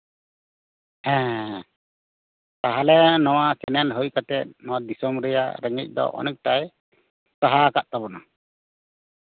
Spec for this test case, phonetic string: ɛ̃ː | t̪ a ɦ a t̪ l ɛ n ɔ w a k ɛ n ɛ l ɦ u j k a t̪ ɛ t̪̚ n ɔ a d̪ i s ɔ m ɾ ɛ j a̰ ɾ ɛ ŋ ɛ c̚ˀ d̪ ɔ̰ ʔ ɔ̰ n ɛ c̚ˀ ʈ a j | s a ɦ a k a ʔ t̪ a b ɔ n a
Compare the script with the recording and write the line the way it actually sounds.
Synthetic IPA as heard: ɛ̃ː | t̪ a ɦ a l ɛ n ɔ w a k ɛ n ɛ l ɦ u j k a t̪ ɛ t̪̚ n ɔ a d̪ i s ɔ m ɾ ɛ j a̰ ɾ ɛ ŋ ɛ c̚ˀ d̪ ɔ̰ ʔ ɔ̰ n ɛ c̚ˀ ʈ a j | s a ɦ a k a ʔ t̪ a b ɔ n a